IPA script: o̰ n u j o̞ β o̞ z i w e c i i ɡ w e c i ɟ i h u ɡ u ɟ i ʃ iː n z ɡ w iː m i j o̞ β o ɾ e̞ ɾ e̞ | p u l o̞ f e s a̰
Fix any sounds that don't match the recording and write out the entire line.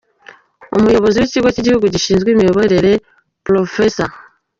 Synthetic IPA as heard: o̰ m u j o̞ β o̞ z i w e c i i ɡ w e c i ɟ i h u ɡ u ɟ i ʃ iː n z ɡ w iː m i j o̞ β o ɾ e̞ ɾ e̞ | p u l o̞ f e s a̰